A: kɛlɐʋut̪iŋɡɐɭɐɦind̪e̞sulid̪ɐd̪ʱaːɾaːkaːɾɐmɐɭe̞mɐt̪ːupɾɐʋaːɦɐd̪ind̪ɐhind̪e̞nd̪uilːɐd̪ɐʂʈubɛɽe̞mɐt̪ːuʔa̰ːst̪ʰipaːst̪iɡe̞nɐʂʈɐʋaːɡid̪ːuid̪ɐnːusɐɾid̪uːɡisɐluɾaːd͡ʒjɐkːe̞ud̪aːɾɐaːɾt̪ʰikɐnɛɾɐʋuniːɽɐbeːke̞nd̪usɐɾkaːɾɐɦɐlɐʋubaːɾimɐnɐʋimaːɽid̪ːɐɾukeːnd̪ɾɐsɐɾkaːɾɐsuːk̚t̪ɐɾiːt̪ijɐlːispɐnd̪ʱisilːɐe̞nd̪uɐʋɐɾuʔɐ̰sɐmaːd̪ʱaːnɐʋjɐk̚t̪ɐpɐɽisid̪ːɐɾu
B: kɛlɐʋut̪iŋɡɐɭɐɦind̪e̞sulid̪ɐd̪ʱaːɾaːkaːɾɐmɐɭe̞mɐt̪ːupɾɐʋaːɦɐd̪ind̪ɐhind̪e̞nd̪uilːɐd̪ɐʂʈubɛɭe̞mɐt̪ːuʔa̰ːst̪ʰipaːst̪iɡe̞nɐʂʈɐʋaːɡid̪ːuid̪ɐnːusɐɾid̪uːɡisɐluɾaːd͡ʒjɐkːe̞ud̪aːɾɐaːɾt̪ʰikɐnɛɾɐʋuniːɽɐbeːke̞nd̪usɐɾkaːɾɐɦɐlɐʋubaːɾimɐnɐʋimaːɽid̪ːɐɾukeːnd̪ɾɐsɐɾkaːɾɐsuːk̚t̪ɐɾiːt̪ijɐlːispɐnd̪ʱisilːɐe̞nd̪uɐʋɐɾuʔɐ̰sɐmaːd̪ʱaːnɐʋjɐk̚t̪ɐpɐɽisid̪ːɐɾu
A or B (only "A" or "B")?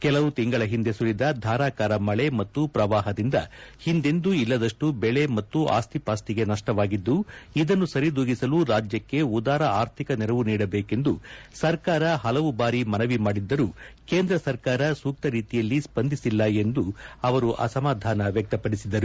B